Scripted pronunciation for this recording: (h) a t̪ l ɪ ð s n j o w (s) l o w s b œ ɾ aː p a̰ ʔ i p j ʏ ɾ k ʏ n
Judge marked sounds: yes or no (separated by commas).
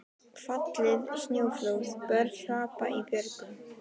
no, no